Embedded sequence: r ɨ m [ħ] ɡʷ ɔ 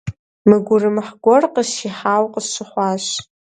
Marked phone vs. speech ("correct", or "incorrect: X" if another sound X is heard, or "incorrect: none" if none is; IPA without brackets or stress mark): correct